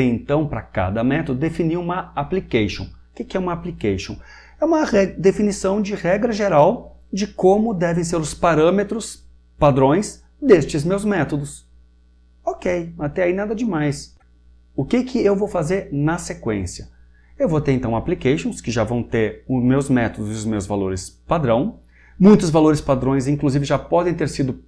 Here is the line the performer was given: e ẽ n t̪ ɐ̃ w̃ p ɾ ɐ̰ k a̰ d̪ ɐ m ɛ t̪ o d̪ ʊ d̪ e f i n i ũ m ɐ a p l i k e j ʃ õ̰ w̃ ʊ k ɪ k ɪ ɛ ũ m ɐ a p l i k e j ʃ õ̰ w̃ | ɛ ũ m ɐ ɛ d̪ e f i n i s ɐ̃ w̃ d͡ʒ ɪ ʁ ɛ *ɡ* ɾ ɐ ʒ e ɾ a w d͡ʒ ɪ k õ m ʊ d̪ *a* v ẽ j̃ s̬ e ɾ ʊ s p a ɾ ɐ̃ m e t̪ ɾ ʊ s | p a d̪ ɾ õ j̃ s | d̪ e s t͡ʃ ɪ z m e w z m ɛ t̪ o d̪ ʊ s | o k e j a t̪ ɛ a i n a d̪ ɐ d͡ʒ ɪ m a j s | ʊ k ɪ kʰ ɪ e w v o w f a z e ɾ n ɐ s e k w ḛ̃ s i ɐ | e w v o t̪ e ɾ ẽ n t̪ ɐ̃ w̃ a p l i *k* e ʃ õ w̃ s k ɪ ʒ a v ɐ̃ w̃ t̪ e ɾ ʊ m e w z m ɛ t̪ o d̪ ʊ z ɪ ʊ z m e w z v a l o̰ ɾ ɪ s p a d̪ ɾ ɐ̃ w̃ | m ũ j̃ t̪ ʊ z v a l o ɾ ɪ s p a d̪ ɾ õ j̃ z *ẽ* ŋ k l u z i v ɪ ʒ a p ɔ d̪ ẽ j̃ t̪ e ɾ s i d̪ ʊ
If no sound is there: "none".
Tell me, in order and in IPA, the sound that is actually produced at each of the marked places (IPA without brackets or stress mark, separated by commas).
ɡ, ɛ, k, ĩ